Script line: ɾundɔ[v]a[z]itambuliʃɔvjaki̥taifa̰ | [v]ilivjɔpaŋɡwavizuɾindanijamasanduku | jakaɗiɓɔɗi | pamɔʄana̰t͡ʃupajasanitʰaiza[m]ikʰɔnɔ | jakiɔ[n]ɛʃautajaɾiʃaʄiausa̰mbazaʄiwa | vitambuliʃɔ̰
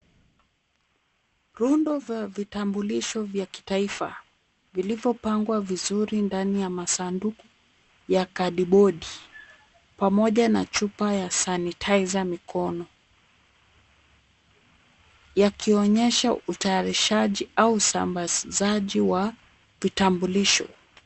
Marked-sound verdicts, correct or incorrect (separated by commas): correct, incorrect, correct, correct, incorrect